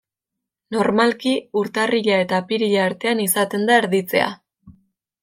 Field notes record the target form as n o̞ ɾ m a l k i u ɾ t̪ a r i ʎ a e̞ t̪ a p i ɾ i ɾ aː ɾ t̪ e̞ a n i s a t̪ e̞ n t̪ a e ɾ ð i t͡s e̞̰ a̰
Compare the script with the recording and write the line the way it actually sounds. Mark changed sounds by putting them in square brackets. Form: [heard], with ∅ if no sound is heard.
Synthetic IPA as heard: n o̞ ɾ m a l k i u ɾ t̪ a r i ʎ a e̞ t̪ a p i ɾ i [ʎ] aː ɾ t̪ e̞ a n i s a t̪ e̞ n [d̪] a e ɾ ð i t͡s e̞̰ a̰